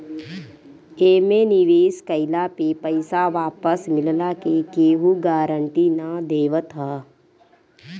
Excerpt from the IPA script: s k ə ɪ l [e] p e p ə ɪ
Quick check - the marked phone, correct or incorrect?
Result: incorrect